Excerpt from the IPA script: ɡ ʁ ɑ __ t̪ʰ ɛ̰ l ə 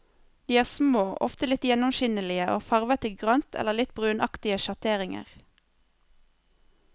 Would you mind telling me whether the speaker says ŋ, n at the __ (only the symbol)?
n